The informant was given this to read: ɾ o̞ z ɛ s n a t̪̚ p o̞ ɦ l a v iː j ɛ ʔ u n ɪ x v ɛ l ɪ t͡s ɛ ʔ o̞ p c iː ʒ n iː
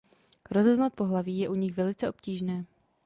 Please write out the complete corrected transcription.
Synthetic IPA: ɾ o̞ z ɛ z n a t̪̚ p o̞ ɦ l a v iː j ɛ ʔ u ɲ ɪ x v ɛ l ɪ t͡s ɛ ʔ o̞ p c iː ʒ n ɛː